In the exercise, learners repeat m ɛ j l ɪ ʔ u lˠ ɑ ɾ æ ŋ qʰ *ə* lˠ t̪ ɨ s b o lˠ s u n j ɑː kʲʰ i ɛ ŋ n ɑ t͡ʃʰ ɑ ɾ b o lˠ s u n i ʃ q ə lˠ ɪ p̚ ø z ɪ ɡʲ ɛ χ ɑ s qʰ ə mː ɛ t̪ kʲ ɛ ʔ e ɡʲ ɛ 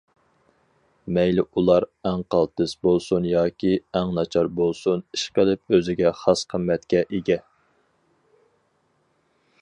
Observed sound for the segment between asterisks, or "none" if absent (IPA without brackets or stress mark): ɑ